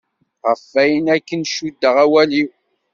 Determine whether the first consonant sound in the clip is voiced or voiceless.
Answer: voiced